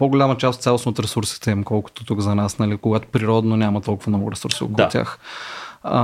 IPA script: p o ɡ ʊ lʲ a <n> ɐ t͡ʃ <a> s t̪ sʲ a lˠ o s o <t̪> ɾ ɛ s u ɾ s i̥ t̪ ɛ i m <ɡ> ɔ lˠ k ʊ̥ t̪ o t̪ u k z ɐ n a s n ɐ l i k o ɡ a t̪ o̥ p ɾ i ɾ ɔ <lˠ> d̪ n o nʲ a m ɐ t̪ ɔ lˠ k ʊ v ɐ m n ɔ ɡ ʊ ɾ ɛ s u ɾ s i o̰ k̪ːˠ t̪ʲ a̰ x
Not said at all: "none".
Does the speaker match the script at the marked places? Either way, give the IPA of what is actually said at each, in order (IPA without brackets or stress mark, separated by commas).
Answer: m, a, t̪, k, none